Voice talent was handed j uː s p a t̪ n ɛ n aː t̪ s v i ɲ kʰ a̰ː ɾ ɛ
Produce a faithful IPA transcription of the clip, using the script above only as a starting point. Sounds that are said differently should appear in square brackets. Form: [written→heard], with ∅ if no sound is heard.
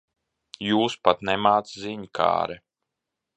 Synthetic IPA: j uː s p a t̪ n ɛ [n→m] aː t̪ s [v→z] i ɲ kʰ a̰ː ɾ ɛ